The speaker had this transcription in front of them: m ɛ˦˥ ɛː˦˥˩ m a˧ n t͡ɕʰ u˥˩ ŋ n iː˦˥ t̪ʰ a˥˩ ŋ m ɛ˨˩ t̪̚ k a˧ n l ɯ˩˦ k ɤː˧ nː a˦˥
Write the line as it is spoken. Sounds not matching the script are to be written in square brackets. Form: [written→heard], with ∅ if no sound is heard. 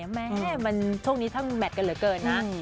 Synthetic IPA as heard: m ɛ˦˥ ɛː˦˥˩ m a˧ n t͡ɕʰ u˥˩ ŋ n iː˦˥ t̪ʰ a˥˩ ŋ m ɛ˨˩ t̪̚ k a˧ n l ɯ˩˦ k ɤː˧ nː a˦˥